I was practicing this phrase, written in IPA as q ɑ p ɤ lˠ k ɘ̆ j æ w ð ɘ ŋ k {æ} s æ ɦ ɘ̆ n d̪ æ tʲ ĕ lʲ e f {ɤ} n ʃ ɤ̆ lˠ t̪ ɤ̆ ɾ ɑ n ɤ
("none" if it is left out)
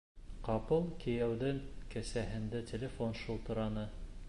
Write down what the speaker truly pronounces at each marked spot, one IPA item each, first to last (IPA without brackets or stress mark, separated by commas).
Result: æ, o